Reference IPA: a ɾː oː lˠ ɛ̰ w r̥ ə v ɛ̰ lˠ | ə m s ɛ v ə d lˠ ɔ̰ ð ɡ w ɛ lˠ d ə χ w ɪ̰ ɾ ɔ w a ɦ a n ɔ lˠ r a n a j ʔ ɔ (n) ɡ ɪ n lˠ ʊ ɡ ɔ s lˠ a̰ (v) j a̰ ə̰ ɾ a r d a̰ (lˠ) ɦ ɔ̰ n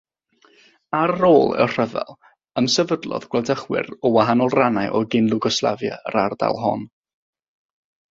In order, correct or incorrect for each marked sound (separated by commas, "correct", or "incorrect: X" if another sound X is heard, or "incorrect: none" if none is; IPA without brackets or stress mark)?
incorrect: none, correct, correct